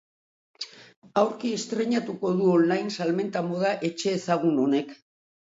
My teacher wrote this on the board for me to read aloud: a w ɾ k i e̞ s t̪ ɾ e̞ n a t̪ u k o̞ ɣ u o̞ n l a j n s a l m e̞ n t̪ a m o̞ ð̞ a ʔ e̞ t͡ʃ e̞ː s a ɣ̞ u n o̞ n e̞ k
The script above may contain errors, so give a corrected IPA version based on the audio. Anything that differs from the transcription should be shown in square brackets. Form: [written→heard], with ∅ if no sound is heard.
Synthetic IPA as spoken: a w ɾ k i e̞ s t̪ ɾ e̞ [n→ɲ] a t̪ u k o̞ [ɣ→ð] u o̞ n l a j n s a l m e̞ n t̪ a m o̞ ð̞ a ʔ e̞ t͡ʃ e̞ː s a ɣ̞ u n o̞ n e̞ k